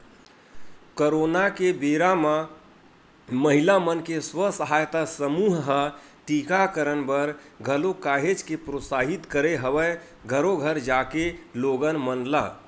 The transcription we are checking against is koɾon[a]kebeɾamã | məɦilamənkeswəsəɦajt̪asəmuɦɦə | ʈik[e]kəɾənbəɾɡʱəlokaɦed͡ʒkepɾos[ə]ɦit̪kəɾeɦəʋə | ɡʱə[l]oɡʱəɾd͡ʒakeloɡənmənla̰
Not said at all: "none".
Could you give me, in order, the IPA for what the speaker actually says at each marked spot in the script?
a, a, a, ɾ

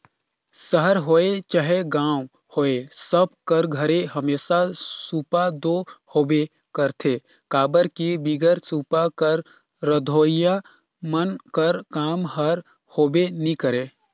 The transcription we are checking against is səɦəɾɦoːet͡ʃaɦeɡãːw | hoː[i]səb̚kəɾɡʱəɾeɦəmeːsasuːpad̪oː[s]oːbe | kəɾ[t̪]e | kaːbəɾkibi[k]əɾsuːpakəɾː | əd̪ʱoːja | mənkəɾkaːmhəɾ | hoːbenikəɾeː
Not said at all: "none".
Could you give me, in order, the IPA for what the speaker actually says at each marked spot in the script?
e, h, t̪ʰ, ɡ

